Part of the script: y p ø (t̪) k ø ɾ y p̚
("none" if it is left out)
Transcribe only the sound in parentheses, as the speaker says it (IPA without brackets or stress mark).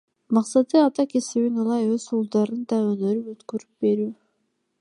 t̪